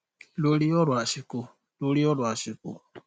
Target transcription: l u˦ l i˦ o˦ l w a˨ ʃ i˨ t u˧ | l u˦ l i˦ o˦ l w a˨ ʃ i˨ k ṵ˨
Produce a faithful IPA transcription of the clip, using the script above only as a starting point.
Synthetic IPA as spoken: l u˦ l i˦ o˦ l w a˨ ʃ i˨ k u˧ | l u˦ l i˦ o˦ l w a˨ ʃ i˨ k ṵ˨